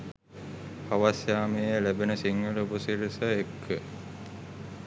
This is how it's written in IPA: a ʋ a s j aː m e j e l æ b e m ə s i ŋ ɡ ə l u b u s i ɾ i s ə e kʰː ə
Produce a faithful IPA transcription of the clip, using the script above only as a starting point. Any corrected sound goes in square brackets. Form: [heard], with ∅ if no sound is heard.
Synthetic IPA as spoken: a ʋ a s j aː m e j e l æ b e [n] ə s i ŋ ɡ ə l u b u s i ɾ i s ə e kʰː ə